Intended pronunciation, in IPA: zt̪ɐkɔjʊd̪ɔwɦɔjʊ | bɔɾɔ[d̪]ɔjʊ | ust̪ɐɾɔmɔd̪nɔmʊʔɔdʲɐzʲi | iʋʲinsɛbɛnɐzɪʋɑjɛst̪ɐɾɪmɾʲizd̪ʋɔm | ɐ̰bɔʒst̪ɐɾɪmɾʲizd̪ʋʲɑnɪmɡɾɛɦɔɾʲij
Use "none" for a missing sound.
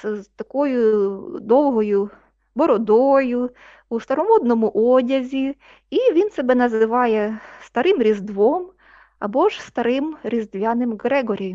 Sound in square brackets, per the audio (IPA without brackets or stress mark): d̪